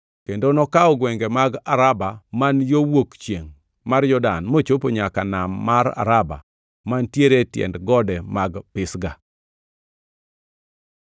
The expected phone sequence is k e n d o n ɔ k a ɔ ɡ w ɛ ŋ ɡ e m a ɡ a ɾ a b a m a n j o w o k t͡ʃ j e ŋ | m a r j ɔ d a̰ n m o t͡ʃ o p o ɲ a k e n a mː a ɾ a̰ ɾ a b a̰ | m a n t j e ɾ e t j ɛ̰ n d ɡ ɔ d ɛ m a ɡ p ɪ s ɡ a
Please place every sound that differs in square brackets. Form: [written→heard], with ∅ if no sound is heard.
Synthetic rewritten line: k e n d o n ɔ k a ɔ ɡ w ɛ ŋ ɡ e m a ɡ a ɾ a b a m a n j o w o k t͡ʃ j e ŋ | m a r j ɔ d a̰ n m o t͡ʃ o p o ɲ a k [e→a] n a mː a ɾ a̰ ɾ a b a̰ | m a n t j e ɾ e t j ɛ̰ n d ɡ ɔ d ɛ m a ɡ p ɪ s ɡ a

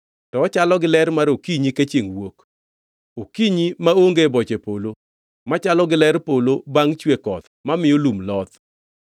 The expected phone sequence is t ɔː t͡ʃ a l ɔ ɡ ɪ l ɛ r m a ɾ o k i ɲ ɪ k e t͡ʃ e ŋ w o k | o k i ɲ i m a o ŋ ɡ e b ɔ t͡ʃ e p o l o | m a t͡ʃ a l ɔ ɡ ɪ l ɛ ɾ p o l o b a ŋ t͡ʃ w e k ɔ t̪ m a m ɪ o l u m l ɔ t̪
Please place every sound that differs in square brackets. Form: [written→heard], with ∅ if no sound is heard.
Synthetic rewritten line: t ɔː t͡ʃ a l ɔ ɡ ɪ l ɛ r m a ɾ o k i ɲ [ɪ→i] k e t͡ʃ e ŋ w o k | o k i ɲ i m a o ŋ ɡ e b ɔ t͡ʃ e p o l o | m a t͡ʃ a l ɔ ɡ ɪ l ɛ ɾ p o l o b a ŋ t͡ʃ w e k ɔ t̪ m a m ɪ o l u m l ɔ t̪

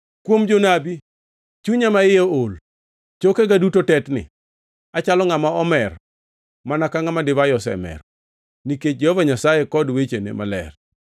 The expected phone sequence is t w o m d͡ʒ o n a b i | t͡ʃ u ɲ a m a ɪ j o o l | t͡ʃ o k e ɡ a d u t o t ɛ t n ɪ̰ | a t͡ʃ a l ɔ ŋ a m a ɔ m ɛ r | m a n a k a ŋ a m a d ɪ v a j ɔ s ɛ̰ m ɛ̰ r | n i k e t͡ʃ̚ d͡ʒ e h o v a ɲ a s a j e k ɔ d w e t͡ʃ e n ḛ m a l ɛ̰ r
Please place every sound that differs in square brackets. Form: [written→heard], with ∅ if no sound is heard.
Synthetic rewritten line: [t→k] w o m d͡ʒ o n a b i | t͡ʃ u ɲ a m a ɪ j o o l | t͡ʃ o k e ɡ a d u t o t ɛ t n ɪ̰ | a t͡ʃ a l ɔ ŋ a m a ɔ m ɛ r | m a n a k a ŋ a m a d ɪ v a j ɔ s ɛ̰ m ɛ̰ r | n i k e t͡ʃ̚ d͡ʒ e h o v a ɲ a s a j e k ɔ d w e t͡ʃ e n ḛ m a l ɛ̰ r

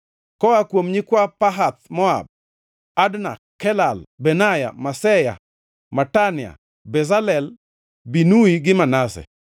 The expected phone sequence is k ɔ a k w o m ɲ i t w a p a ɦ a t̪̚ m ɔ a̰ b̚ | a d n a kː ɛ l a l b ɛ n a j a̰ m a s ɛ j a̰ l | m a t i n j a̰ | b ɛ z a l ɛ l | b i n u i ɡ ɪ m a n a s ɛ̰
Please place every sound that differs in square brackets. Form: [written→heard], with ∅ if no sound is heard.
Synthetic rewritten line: k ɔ a k w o m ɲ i [t→k] w a p a ɦ a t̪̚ m ɔ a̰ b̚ | a d n a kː ɛ l a l b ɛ n a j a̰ m a s ɛ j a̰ [l→∅] | m a t [i→a] n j a̰ | b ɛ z a l ɛ l | b i n u i ɡ ɪ m a n a s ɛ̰

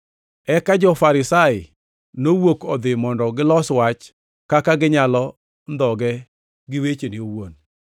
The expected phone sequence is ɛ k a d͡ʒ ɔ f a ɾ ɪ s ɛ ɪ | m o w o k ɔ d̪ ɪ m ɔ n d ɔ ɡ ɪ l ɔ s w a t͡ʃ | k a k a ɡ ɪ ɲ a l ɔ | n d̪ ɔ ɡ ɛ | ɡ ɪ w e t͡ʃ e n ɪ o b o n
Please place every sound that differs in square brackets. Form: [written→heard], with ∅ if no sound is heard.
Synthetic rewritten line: ɛ k a d͡ʒ ɔ f a ɾ ɪ s [ɛ→a] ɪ | [m→n] o w o k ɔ d̪ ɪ m ɔ n d ɔ ɡ ɪ l ɔ s w a t͡ʃ | k a k a ɡ ɪ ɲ a l ɔ | n d̪ ɔ ɡ ɛ | ɡ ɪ w e t͡ʃ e n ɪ o [b→w] o n

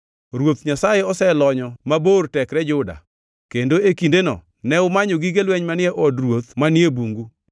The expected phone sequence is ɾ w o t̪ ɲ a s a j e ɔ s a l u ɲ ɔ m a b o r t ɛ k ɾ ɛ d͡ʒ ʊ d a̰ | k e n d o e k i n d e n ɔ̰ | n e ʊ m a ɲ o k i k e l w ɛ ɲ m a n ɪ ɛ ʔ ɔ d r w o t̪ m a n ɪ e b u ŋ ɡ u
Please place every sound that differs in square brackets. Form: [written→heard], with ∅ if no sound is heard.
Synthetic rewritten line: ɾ w o t̪ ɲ a s a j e ɔ s [a→ɛ] l [u→ɔ] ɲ ɔ m a b o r t ɛ k ɾ ɛ d͡ʒ ʊ d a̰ | k e n d o e k i n d e n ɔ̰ | n [e→ɛ] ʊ m a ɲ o [k→ɡ] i [k→ɡ] e l w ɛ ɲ m a n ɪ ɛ ʔ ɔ d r w o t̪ m a n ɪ e b u ŋ ɡ u

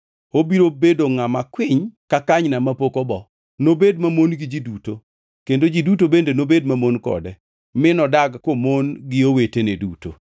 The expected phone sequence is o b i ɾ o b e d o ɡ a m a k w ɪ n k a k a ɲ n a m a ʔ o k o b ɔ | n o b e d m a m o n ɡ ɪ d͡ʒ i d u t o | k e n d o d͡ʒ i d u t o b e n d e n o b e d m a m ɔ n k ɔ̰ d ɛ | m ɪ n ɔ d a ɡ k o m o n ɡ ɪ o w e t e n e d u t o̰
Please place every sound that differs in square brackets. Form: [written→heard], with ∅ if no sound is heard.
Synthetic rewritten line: o b i ɾ o b e d o [ɡ→ŋ] a m a k w ɪ [n→ɲ] k a k a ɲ n a m a [ʔ→p] o k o b ɔ | n o b e d m a m o n ɡ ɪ d͡ʒ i d u t o | k e n d o d͡ʒ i d u t o b e n d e n o b e d m a m [ɔ→o] n k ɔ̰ d ɛ | m ɪ n ɔ d a ɡ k o m o n ɡ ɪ o w e t e n e d u t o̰

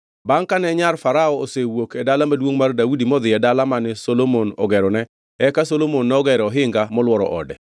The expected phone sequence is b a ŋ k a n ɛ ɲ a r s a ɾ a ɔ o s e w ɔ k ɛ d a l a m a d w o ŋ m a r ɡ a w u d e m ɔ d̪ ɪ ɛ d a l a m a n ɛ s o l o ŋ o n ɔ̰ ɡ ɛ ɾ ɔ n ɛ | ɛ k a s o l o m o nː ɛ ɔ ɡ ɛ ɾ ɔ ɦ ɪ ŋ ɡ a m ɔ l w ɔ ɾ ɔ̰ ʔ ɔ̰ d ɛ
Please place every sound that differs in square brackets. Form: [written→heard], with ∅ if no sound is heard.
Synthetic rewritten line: b a ŋ k a n ɛ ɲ a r [s→f] a ɾ a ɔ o s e w [ɔ→o] k ɛ d a l a m a d w o ŋ m a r [ɡ→d] a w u d [e→i] m ɔ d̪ ɪ ɛ d a l a m a n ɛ s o l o [ŋ→m] o n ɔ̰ ɡ ɛ ɾ ɔ n ɛ | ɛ k a s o l o m o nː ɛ ɔ ɡ ɛ ɾ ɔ ɦ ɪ ŋ ɡ a m ɔ l w ɔ ɾ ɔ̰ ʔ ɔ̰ d ɛ

